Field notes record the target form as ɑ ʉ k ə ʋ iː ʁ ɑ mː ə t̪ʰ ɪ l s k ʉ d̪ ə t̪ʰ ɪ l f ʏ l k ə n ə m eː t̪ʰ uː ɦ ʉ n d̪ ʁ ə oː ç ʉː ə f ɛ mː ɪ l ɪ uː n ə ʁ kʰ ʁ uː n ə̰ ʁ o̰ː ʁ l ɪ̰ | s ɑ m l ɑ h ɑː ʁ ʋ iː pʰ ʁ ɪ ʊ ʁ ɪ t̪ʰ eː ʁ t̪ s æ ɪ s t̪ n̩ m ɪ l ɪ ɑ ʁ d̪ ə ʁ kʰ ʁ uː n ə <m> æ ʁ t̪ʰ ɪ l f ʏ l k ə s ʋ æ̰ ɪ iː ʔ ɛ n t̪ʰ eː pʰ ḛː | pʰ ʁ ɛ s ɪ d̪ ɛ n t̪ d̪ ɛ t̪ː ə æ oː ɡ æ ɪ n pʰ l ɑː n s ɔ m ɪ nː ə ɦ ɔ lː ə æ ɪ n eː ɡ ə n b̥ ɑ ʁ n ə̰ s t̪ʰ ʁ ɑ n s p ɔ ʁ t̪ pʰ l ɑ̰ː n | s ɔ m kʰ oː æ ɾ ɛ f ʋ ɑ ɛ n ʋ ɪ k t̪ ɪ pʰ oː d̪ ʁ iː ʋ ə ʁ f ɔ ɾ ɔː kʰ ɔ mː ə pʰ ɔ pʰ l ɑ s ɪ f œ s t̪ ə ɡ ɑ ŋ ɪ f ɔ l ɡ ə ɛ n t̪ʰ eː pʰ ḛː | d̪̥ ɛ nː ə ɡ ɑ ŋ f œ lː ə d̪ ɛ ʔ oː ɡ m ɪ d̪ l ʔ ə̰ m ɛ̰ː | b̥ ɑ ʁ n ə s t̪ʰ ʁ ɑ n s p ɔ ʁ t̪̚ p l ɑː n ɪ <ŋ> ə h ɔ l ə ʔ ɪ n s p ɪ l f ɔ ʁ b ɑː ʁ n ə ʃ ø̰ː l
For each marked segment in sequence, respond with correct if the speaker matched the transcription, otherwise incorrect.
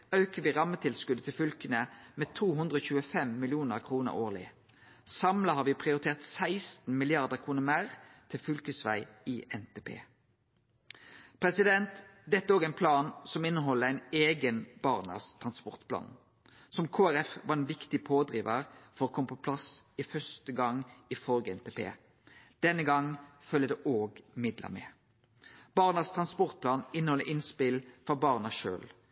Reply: correct, incorrect

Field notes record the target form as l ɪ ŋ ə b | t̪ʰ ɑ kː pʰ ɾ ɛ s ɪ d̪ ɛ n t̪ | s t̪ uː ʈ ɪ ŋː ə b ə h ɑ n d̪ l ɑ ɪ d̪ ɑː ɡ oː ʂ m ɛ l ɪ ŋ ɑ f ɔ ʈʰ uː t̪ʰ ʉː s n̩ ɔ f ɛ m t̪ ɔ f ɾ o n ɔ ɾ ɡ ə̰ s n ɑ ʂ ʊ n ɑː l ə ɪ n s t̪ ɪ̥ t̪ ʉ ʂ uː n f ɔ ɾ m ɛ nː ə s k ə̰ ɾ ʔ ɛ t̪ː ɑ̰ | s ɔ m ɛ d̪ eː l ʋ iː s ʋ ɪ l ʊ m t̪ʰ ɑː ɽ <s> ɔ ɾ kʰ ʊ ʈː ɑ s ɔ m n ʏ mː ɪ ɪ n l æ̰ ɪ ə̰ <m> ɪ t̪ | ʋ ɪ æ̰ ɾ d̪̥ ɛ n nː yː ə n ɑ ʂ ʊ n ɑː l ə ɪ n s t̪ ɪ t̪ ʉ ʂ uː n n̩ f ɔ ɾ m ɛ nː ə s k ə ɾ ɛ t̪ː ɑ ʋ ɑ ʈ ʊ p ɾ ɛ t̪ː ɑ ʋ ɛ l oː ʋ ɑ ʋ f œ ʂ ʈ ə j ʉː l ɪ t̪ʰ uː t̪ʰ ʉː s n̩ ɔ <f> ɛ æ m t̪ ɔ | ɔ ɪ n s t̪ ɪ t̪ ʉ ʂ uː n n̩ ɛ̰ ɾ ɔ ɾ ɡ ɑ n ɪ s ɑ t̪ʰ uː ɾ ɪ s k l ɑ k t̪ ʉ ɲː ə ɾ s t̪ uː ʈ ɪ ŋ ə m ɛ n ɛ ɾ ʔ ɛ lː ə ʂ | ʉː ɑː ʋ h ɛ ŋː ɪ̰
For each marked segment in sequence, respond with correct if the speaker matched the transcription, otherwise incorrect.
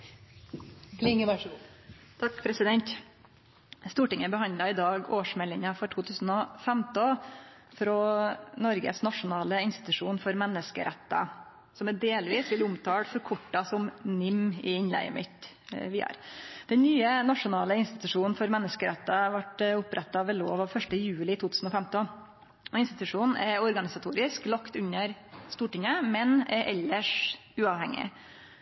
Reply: incorrect, correct, correct

